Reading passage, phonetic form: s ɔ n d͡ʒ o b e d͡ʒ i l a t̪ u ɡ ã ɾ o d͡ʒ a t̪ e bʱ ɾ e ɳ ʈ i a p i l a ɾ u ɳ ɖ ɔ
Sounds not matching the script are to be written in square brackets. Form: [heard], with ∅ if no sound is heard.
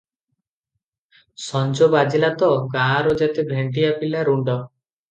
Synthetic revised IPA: s ɔ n d͡ʒ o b [a] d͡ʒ i l a t̪ [ɔ] ɡ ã ɾ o d͡ʒ a t̪ e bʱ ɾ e ɳ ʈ i a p i l a ɾ u ɳ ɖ ɔ